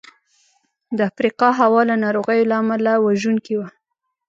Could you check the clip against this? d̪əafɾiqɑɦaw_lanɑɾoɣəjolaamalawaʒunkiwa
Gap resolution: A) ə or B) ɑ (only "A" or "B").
B